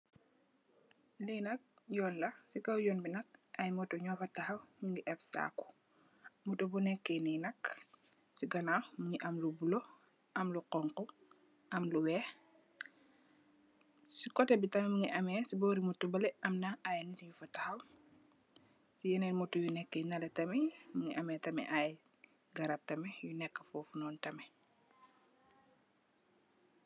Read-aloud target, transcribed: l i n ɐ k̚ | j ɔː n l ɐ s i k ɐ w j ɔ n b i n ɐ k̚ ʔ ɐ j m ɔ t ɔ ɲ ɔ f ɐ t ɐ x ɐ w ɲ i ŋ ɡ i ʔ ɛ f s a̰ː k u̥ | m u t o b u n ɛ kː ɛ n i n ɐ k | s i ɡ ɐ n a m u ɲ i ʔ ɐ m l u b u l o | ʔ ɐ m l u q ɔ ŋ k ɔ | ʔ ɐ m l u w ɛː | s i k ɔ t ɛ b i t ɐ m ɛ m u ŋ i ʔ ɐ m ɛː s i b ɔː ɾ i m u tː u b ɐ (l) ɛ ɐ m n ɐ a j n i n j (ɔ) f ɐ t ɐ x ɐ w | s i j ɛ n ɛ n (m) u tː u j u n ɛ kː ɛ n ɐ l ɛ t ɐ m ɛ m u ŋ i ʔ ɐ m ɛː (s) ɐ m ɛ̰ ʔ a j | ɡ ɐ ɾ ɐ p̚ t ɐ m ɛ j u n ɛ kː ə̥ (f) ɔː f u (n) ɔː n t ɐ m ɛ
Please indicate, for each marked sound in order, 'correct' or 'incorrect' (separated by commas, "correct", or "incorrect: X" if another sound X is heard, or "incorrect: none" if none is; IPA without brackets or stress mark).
correct, incorrect: u, correct, incorrect: t, correct, correct